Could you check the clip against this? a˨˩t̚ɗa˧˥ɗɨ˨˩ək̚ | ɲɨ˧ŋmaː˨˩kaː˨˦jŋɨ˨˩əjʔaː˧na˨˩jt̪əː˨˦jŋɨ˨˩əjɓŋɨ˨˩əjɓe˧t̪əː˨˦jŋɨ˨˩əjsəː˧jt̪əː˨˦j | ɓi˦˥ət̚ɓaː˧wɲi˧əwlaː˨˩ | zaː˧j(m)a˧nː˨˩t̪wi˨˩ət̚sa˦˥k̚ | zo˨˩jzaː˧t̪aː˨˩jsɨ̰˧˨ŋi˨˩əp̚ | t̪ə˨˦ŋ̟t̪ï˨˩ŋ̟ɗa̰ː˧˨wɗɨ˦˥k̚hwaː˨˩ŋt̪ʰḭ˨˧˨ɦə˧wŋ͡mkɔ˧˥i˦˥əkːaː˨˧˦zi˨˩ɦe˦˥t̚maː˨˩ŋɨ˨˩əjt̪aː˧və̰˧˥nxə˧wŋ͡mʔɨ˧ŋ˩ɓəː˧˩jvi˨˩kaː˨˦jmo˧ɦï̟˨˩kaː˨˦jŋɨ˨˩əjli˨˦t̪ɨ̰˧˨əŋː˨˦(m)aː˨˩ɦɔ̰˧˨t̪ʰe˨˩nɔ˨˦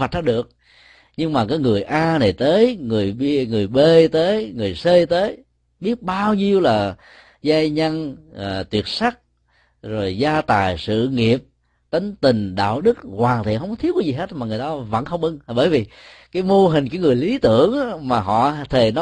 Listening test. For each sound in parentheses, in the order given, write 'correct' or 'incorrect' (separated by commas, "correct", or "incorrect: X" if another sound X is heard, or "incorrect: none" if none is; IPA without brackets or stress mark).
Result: incorrect: ɲ, correct